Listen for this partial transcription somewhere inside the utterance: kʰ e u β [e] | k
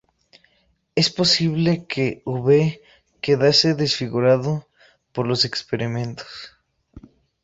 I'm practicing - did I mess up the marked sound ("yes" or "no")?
no